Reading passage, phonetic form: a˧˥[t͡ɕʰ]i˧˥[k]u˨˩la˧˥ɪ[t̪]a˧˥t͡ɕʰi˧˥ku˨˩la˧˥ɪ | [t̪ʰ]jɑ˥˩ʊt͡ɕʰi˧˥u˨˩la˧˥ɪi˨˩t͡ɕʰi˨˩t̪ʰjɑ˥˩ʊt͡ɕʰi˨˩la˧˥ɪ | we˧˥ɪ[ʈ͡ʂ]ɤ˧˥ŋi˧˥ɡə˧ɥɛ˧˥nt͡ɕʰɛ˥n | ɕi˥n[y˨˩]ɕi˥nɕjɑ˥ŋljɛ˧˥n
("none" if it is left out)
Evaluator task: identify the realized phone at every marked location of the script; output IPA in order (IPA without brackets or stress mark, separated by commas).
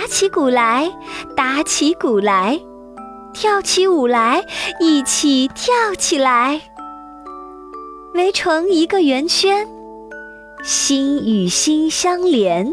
t͡ɕʰ, k, t̪, t̪ʰ, ʈ͡ʂʰ, y˨˩